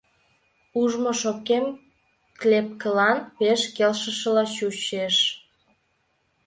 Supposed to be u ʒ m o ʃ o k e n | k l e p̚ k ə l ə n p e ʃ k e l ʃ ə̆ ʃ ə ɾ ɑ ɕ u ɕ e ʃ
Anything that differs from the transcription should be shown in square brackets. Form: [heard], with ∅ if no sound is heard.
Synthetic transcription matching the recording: u ʒ m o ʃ o k e [m] | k l e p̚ k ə l [ɑ] n p e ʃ k e l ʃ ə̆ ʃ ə [l] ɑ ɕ u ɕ e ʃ